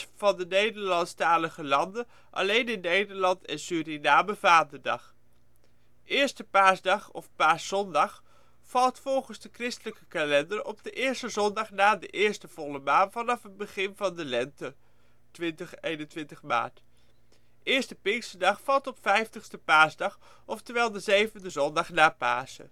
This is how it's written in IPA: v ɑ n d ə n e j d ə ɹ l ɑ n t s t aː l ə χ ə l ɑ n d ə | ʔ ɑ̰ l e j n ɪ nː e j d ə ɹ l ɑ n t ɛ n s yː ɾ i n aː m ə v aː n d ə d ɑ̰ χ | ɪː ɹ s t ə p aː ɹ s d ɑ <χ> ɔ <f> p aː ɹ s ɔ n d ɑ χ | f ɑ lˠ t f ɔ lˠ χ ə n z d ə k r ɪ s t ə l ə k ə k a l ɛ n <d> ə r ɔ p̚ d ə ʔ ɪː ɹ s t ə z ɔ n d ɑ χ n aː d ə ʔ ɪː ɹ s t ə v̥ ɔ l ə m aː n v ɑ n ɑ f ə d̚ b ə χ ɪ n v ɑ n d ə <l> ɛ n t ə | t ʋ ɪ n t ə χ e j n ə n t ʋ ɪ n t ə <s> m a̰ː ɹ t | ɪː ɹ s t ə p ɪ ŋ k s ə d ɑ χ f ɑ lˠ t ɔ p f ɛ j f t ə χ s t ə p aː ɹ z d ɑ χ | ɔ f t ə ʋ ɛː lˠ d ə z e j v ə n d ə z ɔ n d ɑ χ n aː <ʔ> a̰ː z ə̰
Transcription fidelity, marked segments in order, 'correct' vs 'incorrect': correct, correct, correct, correct, incorrect, incorrect

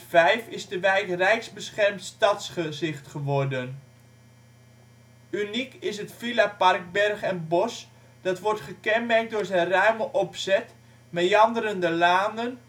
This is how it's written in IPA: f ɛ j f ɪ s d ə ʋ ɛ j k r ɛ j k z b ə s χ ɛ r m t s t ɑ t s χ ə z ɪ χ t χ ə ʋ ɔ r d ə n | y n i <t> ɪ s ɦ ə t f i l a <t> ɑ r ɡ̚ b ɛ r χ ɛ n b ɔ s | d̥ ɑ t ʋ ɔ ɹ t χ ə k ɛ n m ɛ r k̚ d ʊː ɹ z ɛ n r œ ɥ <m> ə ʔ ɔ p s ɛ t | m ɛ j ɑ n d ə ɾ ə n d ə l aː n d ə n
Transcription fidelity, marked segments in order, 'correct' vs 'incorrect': incorrect, incorrect, correct

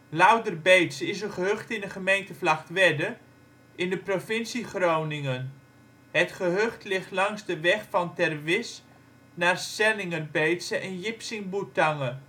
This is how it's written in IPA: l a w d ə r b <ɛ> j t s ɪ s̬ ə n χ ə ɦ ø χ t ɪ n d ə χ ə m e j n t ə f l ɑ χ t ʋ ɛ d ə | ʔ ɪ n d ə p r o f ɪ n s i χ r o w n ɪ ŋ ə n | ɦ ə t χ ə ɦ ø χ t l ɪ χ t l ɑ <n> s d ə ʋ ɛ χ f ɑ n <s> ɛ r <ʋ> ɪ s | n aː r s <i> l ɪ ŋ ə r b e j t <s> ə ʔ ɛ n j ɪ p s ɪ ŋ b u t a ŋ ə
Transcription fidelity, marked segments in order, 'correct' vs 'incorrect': incorrect, incorrect, incorrect, correct, incorrect, correct

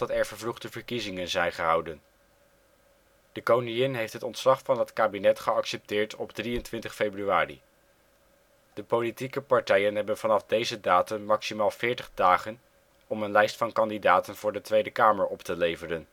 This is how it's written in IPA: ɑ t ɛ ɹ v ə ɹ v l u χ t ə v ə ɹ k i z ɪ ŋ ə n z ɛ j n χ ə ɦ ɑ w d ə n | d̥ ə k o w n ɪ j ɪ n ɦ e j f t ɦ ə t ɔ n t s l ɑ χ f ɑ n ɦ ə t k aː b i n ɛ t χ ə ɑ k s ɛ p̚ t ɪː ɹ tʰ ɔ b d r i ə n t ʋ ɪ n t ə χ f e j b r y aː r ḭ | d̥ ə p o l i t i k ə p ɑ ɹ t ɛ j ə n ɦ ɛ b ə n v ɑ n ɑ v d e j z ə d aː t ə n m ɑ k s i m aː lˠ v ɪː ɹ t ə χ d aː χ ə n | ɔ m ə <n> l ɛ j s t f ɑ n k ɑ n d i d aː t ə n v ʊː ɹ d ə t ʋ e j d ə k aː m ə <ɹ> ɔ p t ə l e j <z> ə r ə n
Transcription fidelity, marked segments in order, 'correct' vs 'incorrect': correct, correct, incorrect

